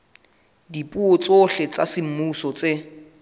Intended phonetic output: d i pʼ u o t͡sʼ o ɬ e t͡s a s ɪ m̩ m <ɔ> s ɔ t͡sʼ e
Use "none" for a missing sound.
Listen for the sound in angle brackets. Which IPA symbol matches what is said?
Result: u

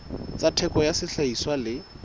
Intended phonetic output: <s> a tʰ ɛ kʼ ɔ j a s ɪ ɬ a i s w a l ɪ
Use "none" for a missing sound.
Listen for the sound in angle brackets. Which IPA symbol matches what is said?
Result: t͡s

